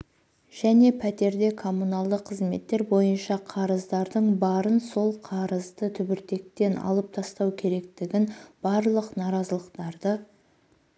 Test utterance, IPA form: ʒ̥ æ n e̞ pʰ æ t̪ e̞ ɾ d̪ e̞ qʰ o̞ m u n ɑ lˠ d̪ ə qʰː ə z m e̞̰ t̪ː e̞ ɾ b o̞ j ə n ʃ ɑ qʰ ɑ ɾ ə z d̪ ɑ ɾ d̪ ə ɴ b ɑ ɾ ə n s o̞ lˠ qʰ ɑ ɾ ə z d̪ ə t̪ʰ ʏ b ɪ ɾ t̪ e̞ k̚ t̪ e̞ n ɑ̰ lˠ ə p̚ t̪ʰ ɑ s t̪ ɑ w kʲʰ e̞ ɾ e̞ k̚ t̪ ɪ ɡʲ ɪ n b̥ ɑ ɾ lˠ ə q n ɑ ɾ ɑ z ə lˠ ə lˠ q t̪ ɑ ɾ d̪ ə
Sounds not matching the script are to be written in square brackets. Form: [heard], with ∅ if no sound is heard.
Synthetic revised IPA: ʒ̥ æ n e̞ pʰ æ t̪ e̞ ɾ d̪ e̞ [kʰ] o̞ m u n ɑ lˠ d̪ ə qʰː ə z m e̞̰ t̪ː e̞ ɾ b o̞ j ə n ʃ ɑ qʰ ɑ ɾ ə z d̪ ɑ ɾ d̪ ə ɴ b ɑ ɾ ə n s o̞ lˠ qʰ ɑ ɾ ə z d̪ ə t̪ʰ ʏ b ɪ ɾ t̪ e̞ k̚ t̪ e̞ n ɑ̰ lˠ ə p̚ t̪ʰ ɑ s t̪ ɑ w kʲʰ e̞ ɾ e̞ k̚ t̪ ɪ ɡʲ ɪ n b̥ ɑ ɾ lˠ ə q n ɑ ɾ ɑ z ə lˠ ə [∅] q t̪ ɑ ɾ d̪ ə

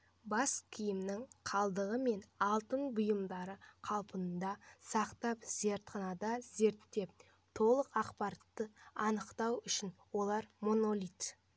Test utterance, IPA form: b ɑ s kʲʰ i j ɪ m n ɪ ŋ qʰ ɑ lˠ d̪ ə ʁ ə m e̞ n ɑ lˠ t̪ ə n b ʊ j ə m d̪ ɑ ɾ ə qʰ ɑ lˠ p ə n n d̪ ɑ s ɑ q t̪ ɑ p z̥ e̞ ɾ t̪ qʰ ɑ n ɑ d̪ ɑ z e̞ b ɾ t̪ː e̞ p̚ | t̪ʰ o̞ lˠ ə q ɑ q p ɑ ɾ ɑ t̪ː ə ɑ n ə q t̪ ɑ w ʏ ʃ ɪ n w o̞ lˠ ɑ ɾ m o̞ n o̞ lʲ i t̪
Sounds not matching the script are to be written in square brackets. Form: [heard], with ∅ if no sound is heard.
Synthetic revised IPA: b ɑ s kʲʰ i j ɪ m n ɪ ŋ qʰ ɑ lˠ d̪ ə ʁ ə m e̞ n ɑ lˠ t̪ ə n b ʊ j ə m d̪ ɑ ɾ ə qʰ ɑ lˠ p ə n n d̪ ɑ s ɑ q t̪ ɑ p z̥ e̞ ɾ t̪ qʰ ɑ n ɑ d̪ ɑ z e̞ [∅] ɾ t̪ː e̞ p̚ | t̪ʰ o̞ lˠ ə q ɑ q p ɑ ɾ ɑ t̪ː ə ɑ n ə q t̪ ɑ w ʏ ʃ ɪ n w o̞ lˠ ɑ ɾ m o̞ n o̞ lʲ i t̪

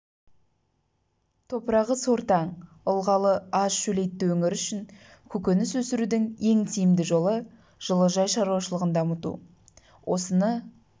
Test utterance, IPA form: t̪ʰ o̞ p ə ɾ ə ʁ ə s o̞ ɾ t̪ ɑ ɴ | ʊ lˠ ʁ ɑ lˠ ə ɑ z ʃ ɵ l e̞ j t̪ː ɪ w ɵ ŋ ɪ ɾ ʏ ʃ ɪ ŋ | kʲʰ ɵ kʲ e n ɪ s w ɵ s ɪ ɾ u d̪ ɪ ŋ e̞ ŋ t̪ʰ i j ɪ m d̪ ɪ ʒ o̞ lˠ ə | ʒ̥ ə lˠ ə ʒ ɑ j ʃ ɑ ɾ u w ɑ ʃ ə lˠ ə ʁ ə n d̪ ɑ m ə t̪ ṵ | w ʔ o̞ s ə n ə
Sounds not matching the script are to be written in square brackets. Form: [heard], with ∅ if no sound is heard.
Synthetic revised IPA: t̪ʰ o̞ p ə ɾ [ɑ] ʁ ə s o̞ ɾ t̪ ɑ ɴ | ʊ lˠ ʁ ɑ lˠ ə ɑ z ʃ ɵ l e̞ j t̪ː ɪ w ɵ ŋ ɪ ɾ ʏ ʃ ɪ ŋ | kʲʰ ɵ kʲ e n ɪ s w ɵ s ɪ ɾ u d̪ ɪ ŋ e̞ ŋ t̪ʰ i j ɪ m d̪ ɪ ʒ o̞ lˠ ə | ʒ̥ ə lˠ ə ʒ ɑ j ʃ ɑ ɾ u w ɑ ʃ ə lˠ ə ʁ ə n d̪ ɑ m ə t̪ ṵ | w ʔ o̞ s ə n ə

